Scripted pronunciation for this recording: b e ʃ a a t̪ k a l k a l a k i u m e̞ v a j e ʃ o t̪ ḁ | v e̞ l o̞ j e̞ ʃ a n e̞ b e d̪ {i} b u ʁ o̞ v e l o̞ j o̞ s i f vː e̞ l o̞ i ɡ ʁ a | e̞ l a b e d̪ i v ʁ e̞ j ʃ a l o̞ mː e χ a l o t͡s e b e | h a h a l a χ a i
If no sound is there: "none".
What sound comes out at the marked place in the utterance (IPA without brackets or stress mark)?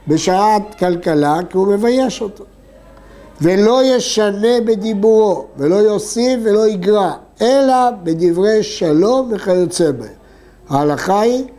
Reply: i